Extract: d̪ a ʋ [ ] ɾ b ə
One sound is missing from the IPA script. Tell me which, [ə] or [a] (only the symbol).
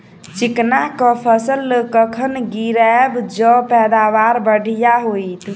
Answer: a